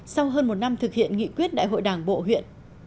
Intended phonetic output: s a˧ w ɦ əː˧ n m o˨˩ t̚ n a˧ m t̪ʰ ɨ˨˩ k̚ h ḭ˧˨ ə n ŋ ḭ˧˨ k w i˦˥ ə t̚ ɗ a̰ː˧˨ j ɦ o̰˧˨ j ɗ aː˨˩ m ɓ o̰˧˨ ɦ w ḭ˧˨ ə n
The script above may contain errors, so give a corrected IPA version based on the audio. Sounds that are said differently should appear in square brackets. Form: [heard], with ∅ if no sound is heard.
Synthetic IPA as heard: s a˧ w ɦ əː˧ n m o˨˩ t̚ n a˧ m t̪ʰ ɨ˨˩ k̚ h ḭ˧˨ ə n ŋ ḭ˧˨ k w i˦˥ ə t̚ ɗ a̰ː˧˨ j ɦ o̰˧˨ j ɗ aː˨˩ [ŋ] ɓ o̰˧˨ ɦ w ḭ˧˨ ə n

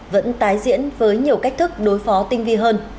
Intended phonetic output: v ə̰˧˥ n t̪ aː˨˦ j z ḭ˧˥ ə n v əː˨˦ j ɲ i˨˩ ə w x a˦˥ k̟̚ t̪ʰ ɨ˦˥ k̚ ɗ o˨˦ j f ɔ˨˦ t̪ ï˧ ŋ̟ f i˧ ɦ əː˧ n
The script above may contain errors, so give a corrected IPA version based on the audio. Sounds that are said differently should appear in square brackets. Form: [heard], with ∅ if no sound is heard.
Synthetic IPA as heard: v ə̰˧˥ n t̪ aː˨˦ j z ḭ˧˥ ə n v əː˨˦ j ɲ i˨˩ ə w [k] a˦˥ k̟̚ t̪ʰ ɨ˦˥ k̚ ɗ o˨˦ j f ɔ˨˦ t̪ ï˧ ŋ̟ [v] i˧ ɦ əː˧ n

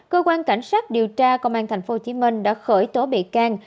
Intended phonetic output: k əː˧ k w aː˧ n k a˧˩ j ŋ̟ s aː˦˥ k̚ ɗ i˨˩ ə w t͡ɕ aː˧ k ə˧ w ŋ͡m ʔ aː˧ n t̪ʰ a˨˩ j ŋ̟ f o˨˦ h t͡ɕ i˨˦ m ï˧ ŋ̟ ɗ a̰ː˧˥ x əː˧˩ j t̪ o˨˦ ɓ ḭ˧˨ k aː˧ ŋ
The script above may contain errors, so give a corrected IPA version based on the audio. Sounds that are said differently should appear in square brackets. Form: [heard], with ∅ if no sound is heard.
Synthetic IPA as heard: k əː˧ k w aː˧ n k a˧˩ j ŋ̟ s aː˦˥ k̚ ɗ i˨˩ ə w t͡ɕ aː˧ k ə˧ w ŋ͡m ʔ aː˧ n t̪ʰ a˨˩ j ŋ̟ f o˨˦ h t͡ɕ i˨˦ m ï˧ ŋ̟ ɗ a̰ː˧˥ x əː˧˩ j t̪ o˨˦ ɓ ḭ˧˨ k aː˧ ŋ

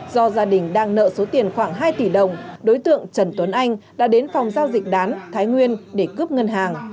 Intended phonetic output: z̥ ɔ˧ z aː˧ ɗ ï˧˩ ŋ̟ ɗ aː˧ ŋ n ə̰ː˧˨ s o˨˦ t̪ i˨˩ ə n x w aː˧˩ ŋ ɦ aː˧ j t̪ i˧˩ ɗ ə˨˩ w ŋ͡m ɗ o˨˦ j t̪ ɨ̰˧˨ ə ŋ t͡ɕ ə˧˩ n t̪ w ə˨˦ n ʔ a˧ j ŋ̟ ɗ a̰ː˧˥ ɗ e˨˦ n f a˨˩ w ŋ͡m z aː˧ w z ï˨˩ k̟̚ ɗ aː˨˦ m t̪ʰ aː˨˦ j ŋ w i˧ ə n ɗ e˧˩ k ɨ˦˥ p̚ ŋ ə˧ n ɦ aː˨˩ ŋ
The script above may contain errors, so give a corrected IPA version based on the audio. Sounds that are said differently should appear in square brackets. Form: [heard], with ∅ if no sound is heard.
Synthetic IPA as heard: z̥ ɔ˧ z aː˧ ɗ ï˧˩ ŋ̟ ɗ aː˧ ŋ n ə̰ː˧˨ s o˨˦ t̪ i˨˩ ə n x w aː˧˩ ŋ ɦ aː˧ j t̪ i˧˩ ɗ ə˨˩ w ŋ͡m ɗ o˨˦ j t̪ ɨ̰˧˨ ə ŋ t͡ɕ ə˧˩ n t̪ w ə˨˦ n ʔ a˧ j ŋ̟ ɗ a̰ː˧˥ ɗ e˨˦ n f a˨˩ w ŋ͡m z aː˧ w z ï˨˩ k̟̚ ɗ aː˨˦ [n] t̪ʰ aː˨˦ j ŋ w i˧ ə n ɗ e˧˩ k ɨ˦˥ p̚ ŋ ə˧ n ɦ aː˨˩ ŋ

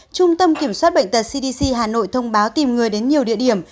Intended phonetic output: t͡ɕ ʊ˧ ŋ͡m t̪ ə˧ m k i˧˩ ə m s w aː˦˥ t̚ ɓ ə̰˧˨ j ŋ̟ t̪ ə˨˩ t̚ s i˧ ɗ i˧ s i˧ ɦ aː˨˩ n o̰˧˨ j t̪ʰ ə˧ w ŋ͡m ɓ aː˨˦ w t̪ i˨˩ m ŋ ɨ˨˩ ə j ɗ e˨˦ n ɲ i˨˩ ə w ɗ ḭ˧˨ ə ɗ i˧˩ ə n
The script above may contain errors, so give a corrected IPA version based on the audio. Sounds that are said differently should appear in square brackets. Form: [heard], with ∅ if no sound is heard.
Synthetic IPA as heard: t͡ɕ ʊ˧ ŋ͡m t̪ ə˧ m k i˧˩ ə m s w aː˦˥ t̚ ɓ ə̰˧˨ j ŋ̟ t̪ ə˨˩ t̚ s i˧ ɗ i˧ s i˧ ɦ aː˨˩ n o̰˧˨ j t̪ʰ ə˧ w ŋ͡m ɓ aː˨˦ w t̪ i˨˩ m ŋ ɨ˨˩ ə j ɗ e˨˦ n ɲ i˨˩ ə w ɗ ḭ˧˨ ə ɗ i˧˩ ə [m]

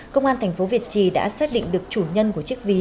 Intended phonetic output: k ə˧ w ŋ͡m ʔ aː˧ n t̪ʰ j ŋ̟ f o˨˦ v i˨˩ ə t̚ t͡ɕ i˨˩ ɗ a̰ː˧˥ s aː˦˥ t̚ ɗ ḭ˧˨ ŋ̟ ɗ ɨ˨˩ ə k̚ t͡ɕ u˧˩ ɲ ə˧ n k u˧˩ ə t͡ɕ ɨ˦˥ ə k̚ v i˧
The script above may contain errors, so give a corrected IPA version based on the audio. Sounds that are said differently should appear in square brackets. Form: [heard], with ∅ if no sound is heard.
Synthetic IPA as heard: k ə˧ w ŋ͡m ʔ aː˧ n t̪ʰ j ŋ̟ f o˨˦ v i˨˩ ə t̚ t͡ɕ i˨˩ ɗ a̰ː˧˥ s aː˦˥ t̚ ɗ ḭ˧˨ ŋ̟ ɗ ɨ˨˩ ə k̚ t͡ɕ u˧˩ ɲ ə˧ n k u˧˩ ə t͡ɕ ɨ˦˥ ə k̚ v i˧

